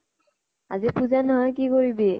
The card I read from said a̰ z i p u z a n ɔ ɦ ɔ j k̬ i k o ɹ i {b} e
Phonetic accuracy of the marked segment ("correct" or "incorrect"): correct